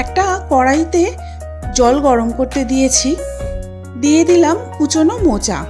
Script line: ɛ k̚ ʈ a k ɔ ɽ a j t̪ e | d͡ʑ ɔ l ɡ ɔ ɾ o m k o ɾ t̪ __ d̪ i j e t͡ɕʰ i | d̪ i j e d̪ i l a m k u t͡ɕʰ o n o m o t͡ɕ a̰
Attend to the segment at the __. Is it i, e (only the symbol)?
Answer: e